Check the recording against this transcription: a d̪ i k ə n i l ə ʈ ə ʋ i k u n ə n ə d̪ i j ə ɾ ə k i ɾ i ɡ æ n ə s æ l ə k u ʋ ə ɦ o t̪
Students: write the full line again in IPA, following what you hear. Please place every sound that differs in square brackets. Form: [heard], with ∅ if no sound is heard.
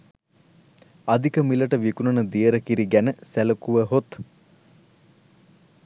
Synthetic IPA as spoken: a d̪ i k ə [m] i l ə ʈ ə ʋ i k u n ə n ə d̪ i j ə ɾ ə k i ɾ i ɡ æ n ə s æ l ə k u ʋ ə ɦ o t̪

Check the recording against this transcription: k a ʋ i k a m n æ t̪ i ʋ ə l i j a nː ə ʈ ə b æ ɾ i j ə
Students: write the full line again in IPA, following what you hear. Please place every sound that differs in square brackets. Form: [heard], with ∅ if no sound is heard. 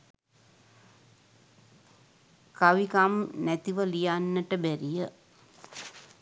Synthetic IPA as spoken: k a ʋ i k a m n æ t̪ i ʋ ə l i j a nː ə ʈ ə b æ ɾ i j ə

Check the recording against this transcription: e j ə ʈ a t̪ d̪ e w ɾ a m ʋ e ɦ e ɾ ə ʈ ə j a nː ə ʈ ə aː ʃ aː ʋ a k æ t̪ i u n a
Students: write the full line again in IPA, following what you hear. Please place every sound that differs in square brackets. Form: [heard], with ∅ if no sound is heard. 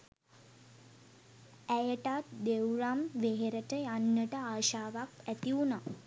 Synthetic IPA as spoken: [æ] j ə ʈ a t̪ d̪ e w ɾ a m ʋ e ɦ e ɾ ə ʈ ə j a nː ə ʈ ə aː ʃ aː ʋ a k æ t̪ i u n a

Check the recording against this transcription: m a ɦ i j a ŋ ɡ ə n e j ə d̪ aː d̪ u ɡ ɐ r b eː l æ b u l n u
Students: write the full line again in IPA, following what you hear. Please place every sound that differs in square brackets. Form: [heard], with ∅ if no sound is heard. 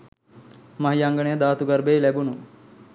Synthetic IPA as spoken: m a ɦ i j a ŋ ɡ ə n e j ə d̪ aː [t̪] u ɡ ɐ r b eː l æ b u [∅] n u

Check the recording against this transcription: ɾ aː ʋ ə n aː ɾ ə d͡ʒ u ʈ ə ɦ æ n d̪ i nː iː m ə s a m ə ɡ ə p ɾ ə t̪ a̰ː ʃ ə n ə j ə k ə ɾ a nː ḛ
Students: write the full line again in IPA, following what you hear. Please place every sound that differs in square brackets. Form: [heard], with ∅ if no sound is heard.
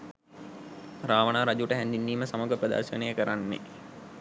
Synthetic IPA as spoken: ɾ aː ʋ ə n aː ɾ [a] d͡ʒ u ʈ ə ɦ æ n d̪ i nː iː m ə s a m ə ɡ ə p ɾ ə [d̪] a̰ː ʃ ə n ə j ə k ə ɾ a nː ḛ

